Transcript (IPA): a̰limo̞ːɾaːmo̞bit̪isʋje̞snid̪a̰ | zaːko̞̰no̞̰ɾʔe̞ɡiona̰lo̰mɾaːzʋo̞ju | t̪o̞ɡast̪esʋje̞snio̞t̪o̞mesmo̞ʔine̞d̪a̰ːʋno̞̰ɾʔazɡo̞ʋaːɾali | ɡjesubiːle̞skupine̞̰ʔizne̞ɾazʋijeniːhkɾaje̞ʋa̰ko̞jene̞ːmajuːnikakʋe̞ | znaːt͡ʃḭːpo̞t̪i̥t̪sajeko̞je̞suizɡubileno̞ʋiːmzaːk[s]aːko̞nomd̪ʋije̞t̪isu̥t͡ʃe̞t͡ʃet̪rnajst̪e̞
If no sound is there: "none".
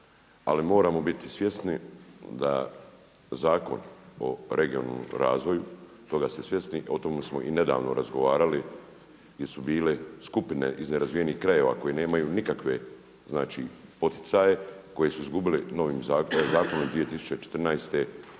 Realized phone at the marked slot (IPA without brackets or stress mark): z